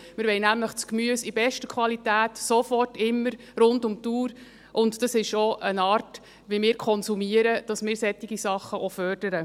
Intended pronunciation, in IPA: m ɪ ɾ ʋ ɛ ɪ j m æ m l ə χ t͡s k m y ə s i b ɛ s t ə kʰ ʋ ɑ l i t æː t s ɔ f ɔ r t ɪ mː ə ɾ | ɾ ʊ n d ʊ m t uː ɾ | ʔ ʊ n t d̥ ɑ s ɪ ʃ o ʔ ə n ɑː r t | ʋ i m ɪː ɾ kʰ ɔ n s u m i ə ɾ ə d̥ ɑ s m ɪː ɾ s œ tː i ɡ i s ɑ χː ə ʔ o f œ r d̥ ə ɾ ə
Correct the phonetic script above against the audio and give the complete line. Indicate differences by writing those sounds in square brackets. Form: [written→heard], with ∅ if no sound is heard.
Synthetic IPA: m ɪ ɾ ʋ ɛ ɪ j [m→n] æ m l ə χ t͡s k m y ə s i b ɛ [s→ʃ] t ə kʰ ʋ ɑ l i t æː t s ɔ f ɔ r t ɪ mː ə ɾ | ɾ ʊ n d ʊ m t uː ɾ | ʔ ʊ n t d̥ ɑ s ɪ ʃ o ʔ ə n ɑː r t | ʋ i m ɪː ɾ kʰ ɔ n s u m i ə ɾ ə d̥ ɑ s m ɪː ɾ s [œ→ɛ] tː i ɡ i s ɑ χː ə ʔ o f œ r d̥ ə ɾ ə